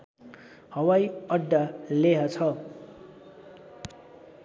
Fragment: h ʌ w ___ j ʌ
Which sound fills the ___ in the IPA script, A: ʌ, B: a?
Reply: B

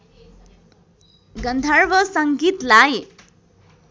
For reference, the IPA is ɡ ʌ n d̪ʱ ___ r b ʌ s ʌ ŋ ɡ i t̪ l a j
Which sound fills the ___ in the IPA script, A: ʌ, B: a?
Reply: B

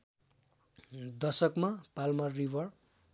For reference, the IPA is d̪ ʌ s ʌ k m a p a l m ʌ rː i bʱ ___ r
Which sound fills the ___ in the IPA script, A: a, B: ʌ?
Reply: B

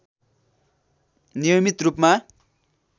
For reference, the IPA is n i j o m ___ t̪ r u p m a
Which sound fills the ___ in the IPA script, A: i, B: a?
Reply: A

